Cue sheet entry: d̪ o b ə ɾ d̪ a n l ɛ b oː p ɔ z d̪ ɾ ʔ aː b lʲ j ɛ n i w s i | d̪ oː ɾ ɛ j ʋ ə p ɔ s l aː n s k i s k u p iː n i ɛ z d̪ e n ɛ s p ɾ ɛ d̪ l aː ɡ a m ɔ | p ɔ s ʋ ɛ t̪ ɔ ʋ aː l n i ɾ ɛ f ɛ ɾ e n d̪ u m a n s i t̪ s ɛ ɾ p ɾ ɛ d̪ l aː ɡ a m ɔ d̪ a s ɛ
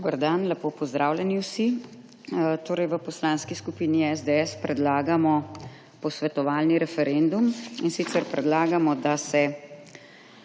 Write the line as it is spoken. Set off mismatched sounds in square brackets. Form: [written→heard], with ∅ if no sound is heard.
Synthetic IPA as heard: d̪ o b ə ɾ d̪ a n l ɛ [b→p] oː p ɔ z d̪ ɾ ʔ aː [b→w] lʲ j ɛ n i w s i | [d̪→t̪] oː ɾ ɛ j ʋ ə p ɔ s l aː n s k i s k u p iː n i ɛ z d̪ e [n→∅] ɛ s p ɾ ɛ d̪ l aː ɡ a m ɔ | p ɔ s ʋ ɛ t̪ ɔ ʋ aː l n i ɾ ɛ f ɛ ɾ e n d̪ u m [a→i] n s i t̪ s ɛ ɾ p ɾ ɛ d̪ l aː ɡ a m ɔ d̪ a s ɛ